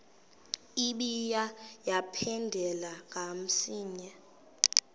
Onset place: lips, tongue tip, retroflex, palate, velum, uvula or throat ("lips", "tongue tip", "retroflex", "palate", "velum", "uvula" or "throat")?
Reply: lips